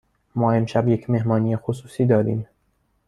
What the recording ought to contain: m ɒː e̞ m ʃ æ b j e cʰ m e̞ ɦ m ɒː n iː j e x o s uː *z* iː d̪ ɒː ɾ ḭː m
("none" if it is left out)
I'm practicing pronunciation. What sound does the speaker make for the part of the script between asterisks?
s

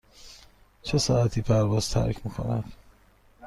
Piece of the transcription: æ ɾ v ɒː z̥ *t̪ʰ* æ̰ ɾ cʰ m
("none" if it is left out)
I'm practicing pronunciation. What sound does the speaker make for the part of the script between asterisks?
t̪ʰ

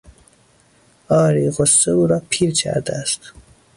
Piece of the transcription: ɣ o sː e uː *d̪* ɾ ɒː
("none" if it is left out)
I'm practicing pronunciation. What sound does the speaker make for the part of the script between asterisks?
none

